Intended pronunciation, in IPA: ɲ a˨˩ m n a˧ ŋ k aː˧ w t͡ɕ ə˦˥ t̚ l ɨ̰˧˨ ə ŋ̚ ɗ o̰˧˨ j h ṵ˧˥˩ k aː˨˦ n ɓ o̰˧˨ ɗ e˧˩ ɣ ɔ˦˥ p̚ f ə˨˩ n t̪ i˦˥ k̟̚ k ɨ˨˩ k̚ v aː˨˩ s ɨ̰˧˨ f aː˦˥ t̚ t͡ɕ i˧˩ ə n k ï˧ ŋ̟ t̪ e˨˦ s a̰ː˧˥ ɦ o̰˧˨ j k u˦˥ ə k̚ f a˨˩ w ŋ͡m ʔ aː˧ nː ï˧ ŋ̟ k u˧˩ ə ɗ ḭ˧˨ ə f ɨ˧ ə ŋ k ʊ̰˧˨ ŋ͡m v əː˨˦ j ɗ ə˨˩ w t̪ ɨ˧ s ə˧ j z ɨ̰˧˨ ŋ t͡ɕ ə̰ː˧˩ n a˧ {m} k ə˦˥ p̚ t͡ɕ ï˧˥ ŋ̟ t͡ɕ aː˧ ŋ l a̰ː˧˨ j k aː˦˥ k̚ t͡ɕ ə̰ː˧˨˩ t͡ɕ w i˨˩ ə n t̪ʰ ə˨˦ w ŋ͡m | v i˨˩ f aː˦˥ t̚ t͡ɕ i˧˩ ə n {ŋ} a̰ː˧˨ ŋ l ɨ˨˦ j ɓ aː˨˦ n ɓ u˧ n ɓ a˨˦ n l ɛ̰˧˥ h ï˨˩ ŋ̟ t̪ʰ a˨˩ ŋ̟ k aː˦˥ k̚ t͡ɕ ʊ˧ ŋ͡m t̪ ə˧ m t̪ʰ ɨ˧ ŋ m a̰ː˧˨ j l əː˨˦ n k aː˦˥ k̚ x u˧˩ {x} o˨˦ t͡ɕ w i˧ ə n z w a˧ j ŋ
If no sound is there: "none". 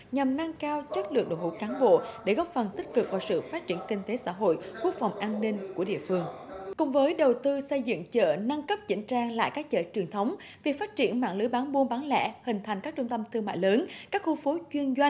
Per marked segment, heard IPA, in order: ŋ, m, f

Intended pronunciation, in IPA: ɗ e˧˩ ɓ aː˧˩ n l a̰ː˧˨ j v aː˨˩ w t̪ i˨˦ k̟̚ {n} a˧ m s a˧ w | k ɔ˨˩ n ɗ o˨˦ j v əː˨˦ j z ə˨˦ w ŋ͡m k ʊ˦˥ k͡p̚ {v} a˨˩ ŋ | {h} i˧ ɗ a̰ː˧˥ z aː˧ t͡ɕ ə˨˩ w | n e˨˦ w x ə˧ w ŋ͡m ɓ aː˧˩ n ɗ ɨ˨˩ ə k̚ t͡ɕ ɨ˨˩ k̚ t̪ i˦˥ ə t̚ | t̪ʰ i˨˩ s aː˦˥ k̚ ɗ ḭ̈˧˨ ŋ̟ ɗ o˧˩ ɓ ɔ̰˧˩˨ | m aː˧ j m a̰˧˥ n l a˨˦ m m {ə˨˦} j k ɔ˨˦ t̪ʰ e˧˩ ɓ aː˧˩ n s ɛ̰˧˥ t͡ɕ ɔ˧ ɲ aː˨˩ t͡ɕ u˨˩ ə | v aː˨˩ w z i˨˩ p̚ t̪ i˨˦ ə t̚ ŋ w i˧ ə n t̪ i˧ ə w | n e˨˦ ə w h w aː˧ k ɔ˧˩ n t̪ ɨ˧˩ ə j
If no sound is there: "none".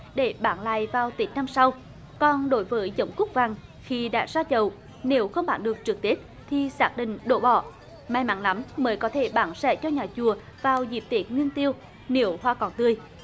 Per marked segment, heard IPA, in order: n, v, x, əː˨˦

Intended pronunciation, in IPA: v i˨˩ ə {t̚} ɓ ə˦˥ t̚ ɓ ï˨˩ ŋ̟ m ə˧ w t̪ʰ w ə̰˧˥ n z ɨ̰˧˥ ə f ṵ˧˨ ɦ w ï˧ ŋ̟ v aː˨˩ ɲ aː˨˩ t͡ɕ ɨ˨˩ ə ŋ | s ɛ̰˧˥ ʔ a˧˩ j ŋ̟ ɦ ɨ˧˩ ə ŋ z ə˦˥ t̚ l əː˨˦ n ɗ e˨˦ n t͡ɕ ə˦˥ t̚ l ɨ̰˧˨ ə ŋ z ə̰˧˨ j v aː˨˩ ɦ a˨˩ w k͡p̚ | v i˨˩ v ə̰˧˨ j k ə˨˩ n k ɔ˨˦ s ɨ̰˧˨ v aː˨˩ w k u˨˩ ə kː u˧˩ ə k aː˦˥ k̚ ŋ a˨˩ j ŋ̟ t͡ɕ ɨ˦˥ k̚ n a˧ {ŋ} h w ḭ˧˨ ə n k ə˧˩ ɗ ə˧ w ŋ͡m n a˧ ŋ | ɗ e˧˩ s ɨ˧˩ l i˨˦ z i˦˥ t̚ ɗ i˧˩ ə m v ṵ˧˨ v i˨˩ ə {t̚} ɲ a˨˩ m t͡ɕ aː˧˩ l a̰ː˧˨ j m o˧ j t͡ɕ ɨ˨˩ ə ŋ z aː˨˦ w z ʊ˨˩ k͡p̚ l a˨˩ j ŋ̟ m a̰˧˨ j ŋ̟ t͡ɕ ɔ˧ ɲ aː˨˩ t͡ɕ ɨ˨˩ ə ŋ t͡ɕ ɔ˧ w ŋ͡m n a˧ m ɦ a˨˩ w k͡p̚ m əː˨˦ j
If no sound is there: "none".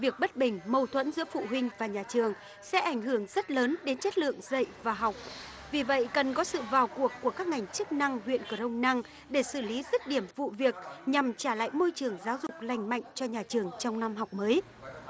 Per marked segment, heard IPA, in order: k̚, ŋ, k̚

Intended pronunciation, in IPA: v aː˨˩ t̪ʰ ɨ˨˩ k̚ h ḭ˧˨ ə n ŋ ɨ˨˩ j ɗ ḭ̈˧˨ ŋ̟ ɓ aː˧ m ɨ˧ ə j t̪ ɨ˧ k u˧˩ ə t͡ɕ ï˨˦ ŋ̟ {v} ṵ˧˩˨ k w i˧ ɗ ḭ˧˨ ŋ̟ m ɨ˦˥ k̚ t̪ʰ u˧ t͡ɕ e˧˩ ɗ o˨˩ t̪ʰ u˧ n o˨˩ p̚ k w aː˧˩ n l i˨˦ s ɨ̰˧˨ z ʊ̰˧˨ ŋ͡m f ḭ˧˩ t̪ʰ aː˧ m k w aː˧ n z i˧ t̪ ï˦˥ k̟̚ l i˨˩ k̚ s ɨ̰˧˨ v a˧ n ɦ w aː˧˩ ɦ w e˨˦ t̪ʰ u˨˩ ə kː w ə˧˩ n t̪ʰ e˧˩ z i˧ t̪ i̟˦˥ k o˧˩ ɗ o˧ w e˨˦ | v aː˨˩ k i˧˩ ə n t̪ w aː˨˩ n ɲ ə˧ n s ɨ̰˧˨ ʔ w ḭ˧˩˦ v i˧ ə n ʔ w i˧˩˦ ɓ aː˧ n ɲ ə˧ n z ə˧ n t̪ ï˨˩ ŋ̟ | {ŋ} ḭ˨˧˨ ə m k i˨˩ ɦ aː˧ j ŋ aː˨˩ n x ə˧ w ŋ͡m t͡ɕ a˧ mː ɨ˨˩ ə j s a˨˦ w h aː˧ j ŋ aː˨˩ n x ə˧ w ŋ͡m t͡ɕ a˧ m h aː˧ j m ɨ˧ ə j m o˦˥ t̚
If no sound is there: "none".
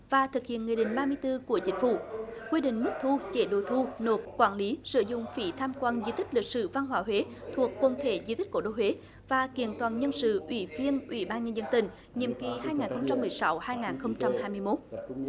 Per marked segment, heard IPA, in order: f, ɲ

